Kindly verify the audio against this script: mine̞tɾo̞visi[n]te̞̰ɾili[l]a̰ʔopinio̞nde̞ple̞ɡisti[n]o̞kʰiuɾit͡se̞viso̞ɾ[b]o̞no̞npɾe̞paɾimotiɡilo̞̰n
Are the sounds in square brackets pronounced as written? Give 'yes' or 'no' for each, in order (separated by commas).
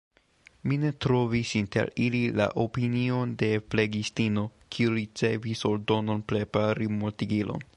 yes, yes, yes, no